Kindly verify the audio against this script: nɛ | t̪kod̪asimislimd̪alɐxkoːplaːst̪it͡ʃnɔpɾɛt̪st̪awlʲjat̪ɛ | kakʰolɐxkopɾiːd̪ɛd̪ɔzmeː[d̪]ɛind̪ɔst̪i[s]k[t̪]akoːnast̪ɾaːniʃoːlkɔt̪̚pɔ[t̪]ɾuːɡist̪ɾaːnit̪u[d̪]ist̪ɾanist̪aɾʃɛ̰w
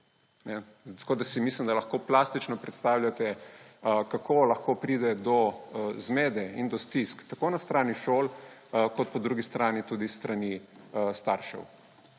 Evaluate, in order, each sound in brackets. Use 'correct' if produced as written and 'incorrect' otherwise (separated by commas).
correct, correct, correct, incorrect, correct